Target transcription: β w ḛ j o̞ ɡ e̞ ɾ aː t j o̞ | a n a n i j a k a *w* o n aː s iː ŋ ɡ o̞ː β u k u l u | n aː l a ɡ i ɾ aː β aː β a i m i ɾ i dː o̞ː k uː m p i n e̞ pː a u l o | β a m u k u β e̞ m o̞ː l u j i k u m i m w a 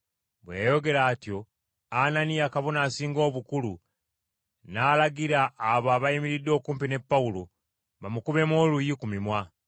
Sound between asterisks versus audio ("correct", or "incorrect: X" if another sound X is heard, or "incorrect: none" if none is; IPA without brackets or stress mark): incorrect: β